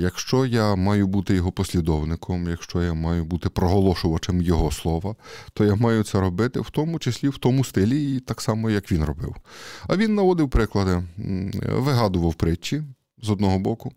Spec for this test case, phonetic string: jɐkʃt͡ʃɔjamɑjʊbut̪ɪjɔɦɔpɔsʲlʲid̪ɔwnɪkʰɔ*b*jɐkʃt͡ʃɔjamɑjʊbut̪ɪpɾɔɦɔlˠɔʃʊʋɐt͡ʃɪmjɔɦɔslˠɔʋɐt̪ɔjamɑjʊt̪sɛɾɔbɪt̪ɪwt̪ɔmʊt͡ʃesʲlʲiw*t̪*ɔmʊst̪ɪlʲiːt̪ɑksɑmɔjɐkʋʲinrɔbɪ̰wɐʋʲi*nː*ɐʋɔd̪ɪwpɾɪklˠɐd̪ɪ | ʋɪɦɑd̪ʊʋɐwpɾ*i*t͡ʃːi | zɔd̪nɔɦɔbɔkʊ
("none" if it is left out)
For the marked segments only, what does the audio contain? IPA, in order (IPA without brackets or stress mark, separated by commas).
m, t̪, nː, ɪ